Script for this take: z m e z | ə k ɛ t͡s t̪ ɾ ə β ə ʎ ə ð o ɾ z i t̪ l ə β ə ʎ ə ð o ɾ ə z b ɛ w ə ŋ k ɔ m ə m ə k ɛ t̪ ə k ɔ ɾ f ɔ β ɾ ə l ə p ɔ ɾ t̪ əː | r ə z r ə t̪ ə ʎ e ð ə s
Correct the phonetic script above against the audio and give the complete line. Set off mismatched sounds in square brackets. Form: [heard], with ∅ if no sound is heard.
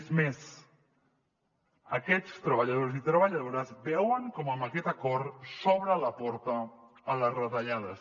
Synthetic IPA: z m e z | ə k ɛ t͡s t̪ ɾ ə β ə ʎ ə ð o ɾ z i t̪ [ɾ] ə β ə ʎ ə ð o ɾ ə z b ɛ w ə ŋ k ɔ m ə m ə k ɛ t̪ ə k ɔ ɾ [s] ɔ β ɾ ə l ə p ɔ ɾ t̪ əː | [l] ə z r ə t̪ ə ʎ [a] ð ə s